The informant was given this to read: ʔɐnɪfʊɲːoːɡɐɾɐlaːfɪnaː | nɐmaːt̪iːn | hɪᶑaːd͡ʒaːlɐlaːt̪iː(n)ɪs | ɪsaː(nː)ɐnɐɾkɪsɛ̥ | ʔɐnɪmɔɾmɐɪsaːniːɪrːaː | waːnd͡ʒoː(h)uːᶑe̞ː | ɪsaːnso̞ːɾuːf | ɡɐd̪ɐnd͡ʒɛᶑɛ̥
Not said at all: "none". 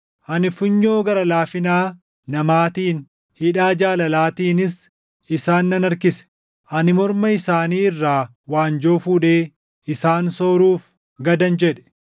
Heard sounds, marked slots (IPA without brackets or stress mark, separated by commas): n, nː, f